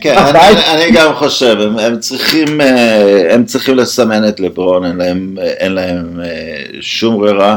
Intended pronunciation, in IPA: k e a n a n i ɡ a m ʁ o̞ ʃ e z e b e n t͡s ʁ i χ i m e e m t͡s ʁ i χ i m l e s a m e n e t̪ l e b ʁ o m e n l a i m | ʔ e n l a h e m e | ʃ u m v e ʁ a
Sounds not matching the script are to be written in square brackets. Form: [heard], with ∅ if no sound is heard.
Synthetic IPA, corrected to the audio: k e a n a n i ɡ a m [χ] o̞ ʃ e [v] e [m] e [m] t͡s ʁ i χ i m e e m t͡s ʁ i χ i m l e s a m e n e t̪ l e b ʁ o [n] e n l a [e] m | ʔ e n l a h e m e | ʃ u m [ʁ] e ʁ a